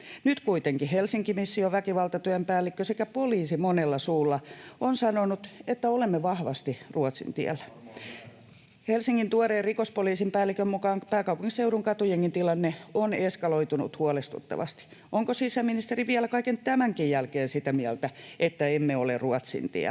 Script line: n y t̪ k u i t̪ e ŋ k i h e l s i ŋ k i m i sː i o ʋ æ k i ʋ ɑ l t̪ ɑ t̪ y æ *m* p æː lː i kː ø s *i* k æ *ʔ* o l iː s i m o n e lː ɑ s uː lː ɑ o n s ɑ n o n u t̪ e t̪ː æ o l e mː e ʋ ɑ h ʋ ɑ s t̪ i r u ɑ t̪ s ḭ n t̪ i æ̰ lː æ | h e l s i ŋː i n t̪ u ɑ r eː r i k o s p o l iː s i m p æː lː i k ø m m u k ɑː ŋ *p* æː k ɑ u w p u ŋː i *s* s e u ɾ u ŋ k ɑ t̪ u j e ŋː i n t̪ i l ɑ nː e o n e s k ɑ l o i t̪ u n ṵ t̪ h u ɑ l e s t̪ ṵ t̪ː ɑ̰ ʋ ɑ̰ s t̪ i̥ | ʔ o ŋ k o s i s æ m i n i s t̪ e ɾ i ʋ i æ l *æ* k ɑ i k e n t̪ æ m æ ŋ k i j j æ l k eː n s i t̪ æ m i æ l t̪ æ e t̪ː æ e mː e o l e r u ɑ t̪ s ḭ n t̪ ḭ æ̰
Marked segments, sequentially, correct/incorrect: correct, incorrect, incorrect, correct, correct, correct

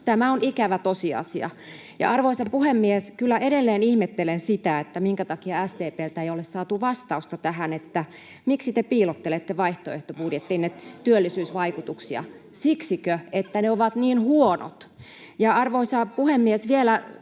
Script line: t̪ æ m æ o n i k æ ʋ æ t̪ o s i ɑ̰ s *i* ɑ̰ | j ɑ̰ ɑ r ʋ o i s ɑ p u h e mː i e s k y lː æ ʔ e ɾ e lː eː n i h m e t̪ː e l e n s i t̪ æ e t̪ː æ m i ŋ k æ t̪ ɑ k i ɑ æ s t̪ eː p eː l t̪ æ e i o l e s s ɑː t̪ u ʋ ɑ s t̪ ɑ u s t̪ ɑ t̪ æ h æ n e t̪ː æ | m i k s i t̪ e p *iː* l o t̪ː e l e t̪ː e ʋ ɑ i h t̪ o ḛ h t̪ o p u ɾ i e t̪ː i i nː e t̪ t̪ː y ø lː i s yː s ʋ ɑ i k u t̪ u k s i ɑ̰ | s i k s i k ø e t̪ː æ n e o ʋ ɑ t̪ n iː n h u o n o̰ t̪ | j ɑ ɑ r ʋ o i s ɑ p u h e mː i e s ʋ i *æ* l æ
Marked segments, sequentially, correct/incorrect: correct, correct, incorrect

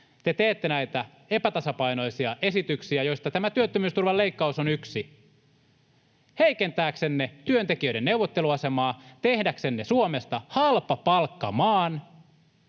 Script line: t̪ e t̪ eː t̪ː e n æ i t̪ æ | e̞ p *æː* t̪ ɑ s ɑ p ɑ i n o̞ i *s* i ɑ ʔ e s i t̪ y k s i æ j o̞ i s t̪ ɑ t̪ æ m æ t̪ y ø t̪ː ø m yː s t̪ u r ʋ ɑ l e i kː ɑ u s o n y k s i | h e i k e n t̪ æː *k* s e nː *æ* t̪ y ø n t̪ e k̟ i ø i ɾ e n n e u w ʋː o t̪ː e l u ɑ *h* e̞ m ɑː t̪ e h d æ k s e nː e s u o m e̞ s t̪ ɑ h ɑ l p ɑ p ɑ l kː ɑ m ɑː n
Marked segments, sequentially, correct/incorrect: incorrect, correct, correct, incorrect, incorrect

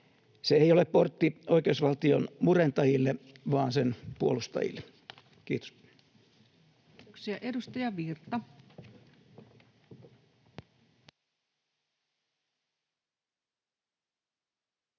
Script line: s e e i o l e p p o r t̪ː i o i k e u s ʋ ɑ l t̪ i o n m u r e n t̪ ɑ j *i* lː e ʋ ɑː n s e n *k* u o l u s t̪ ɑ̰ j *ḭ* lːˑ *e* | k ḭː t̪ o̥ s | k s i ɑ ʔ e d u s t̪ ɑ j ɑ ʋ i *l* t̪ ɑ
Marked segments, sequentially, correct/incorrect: correct, incorrect, correct, correct, incorrect

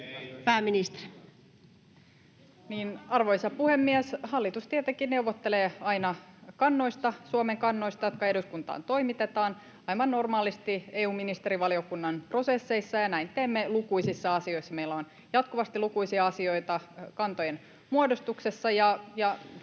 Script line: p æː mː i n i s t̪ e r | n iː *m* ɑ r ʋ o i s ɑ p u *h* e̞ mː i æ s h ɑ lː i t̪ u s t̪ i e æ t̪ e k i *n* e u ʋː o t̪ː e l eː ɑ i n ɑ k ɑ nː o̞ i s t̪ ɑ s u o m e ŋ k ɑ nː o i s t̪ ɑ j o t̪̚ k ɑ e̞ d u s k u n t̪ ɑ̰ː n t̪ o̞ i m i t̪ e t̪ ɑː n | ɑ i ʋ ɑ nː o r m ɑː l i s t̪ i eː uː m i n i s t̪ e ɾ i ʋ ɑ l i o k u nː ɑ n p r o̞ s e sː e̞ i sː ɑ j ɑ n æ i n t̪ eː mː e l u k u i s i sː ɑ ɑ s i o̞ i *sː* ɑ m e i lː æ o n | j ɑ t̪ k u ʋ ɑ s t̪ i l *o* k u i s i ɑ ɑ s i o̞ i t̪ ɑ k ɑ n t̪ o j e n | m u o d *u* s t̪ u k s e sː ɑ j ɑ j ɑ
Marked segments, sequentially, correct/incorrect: incorrect, correct, correct, correct, incorrect, incorrect

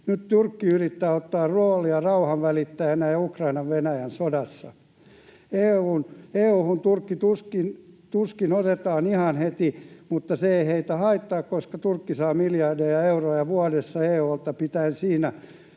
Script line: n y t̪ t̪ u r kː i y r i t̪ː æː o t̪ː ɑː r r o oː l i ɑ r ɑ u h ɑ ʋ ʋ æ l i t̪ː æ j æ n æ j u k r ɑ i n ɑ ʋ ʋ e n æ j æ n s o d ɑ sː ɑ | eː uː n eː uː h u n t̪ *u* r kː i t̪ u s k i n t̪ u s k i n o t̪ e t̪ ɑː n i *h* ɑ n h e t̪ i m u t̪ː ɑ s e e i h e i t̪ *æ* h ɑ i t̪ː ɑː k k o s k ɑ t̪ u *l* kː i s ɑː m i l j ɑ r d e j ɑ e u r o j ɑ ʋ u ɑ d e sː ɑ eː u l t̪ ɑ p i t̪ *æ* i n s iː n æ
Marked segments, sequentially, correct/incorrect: correct, correct, correct, incorrect, correct

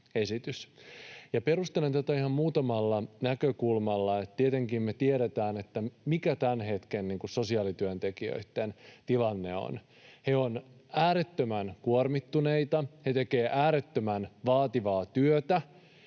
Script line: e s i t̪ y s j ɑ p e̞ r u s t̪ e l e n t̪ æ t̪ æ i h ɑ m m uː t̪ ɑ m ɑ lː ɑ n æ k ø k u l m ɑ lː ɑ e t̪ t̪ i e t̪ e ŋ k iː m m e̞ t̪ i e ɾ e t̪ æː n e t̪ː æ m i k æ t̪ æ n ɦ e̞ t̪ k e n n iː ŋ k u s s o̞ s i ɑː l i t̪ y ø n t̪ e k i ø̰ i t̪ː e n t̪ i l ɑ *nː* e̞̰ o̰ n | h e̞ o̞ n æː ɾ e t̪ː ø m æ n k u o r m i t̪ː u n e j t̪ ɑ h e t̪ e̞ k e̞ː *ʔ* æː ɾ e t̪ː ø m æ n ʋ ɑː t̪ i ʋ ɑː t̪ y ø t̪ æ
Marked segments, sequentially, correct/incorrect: correct, correct

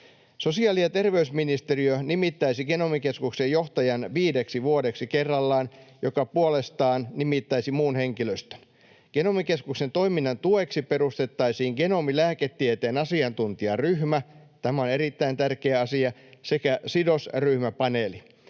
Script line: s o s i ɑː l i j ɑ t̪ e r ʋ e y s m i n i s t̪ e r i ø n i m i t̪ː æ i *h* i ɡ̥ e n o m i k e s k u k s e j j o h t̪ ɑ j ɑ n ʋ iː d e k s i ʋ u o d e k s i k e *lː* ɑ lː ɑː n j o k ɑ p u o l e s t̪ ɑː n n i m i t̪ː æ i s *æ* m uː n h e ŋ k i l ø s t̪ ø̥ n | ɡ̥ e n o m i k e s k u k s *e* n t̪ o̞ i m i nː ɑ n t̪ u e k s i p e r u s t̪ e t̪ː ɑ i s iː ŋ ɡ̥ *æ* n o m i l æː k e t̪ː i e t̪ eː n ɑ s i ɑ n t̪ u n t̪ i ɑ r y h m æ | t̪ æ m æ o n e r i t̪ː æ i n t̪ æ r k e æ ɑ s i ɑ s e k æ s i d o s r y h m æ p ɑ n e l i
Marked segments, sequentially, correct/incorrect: incorrect, incorrect, incorrect, correct, incorrect

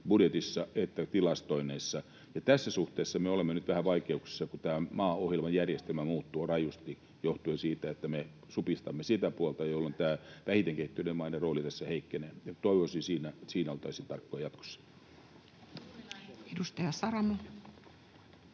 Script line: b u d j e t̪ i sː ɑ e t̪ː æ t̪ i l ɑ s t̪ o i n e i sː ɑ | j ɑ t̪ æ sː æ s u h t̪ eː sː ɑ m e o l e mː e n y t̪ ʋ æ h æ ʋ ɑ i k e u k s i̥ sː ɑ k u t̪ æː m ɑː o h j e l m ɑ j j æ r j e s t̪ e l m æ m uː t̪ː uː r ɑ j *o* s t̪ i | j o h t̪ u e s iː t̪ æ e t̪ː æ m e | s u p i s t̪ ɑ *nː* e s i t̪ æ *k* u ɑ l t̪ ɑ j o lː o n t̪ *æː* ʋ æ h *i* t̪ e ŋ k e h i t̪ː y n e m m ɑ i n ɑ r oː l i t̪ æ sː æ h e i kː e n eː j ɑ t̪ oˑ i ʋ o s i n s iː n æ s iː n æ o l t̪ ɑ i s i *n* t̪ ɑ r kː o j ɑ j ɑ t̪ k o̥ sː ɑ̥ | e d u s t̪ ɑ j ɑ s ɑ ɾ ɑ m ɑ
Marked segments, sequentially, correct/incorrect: incorrect, incorrect, incorrect, correct, correct, correct

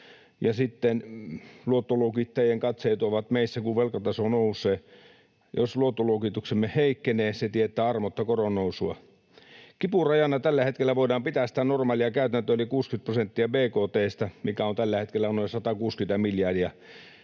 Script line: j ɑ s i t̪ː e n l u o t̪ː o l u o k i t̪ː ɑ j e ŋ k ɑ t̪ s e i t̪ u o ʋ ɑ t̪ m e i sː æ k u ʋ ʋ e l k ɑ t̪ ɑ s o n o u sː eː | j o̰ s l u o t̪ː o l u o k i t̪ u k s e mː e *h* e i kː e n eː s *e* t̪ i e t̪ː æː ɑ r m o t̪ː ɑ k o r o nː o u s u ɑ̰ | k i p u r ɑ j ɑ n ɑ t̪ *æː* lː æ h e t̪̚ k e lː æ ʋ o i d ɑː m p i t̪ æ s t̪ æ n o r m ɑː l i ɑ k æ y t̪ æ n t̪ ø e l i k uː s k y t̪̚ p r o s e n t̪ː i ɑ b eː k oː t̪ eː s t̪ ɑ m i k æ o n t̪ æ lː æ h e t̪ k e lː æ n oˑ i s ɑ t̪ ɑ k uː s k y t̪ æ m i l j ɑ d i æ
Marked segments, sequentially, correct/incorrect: correct, correct, incorrect

